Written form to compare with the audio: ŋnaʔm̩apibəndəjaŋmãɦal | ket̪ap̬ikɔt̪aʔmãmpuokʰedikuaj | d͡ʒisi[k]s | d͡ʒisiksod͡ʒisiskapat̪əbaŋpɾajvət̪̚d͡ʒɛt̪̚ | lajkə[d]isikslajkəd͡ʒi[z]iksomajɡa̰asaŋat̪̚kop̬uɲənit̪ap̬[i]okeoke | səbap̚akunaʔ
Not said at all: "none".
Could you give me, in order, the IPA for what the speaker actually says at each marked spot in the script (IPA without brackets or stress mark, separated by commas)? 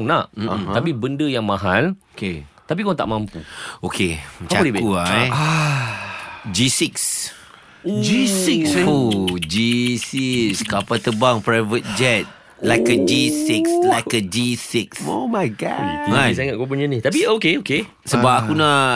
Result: k, d͡ʒ, s, i